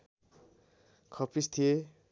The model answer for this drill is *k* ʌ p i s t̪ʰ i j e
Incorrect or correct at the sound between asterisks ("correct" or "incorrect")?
incorrect